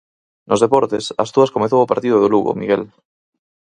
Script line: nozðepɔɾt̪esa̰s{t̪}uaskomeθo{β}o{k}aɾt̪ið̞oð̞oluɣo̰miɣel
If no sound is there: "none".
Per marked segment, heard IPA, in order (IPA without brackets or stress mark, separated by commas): t̪, w, p